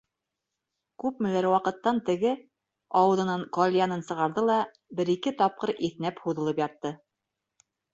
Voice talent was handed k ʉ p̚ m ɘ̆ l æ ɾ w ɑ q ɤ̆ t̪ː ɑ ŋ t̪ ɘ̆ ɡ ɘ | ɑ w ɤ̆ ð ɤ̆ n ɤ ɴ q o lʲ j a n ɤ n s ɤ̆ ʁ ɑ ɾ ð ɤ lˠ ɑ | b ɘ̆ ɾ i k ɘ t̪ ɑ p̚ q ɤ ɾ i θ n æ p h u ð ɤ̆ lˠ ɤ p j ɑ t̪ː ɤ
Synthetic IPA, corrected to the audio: k ʉ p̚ m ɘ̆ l æ ɾ w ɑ q ɤ̆ t̪ː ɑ n t̪ ɘ̆ ɡ ɘ | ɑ w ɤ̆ ð ɤ̆ n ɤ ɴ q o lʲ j a n ɤ n s ɤ̆ ʁ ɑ ɾ ð ɤ lˠ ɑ | b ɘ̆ ɾ i k ɘ t̪ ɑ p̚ q ɤ ɾ i θ n æ p h u ð ɤ̆ lˠ ɤ p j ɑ t̪ː ɤ